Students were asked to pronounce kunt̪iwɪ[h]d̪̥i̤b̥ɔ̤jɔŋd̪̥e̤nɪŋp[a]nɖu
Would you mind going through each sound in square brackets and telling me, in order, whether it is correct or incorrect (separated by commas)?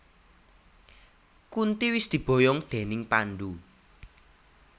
incorrect, correct